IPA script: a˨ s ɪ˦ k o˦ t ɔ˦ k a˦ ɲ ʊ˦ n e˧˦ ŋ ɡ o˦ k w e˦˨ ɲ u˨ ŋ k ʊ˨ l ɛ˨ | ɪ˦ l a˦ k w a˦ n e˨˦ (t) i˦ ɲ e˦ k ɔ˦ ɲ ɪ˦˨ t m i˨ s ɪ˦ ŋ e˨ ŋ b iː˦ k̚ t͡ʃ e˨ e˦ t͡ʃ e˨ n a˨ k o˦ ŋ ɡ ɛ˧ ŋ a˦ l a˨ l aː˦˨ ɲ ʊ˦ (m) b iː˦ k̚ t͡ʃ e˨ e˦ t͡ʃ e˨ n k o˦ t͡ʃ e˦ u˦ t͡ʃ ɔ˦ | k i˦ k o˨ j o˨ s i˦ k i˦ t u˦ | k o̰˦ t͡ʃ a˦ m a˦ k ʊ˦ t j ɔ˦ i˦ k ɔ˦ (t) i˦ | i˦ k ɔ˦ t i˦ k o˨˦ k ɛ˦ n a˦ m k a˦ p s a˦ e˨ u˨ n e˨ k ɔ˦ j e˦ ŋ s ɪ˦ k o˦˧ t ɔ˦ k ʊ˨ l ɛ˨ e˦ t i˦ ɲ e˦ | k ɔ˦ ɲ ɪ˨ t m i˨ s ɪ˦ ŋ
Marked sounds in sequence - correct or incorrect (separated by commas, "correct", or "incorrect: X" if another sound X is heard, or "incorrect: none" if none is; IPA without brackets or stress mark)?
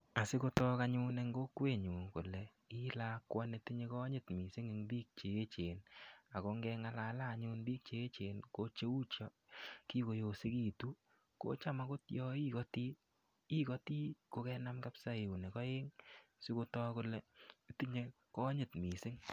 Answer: correct, incorrect: n, correct